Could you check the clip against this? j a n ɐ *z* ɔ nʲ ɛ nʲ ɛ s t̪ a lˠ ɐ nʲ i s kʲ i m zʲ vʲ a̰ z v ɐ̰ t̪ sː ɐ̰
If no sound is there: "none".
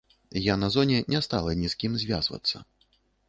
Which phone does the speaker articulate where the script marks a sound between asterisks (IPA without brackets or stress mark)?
z